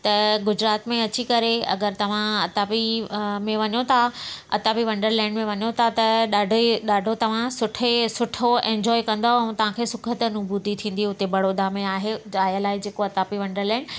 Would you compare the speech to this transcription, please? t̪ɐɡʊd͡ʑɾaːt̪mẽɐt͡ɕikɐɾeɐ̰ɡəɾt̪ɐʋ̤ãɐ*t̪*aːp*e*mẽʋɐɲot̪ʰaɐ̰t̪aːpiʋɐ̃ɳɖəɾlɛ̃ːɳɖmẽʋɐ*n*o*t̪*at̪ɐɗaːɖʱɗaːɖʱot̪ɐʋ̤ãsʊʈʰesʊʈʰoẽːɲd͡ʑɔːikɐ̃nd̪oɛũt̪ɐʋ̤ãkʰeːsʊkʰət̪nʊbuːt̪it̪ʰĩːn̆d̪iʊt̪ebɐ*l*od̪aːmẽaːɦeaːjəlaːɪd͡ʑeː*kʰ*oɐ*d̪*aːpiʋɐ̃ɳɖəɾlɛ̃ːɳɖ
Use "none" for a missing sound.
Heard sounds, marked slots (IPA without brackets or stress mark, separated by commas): t̪, i, ɲ, t̪ʰ, ɽ, k, t̪